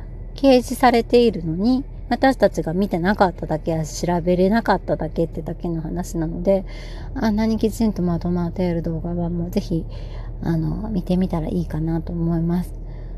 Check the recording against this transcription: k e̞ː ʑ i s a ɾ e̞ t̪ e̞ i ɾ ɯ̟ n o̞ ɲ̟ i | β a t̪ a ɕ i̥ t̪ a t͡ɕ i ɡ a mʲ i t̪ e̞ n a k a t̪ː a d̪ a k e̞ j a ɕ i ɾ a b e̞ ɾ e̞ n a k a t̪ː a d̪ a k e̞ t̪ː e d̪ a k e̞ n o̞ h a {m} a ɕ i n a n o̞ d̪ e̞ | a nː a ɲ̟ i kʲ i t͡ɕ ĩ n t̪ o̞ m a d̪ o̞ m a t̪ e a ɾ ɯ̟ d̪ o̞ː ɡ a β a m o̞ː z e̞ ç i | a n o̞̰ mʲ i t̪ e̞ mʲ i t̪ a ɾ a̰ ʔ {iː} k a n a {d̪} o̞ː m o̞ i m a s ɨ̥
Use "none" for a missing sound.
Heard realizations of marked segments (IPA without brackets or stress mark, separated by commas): n, iː, t̪